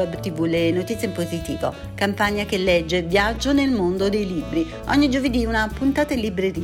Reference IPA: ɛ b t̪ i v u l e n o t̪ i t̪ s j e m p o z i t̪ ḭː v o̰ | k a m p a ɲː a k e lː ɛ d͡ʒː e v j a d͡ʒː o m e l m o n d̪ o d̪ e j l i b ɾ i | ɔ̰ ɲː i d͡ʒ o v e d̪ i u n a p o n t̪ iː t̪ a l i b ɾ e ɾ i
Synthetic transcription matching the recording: ɛ b t̪ i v u l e n o t̪ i t̪ s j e m p o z i t̪ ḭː v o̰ | k a m p a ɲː a k e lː ɛ d͡ʒː e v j a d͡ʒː o n e l m o n d̪ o d̪ e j l i b ɾ i | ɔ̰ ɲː i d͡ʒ o v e d̪ i u n a p u n t̪ aː t̪ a l i b ɾ e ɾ i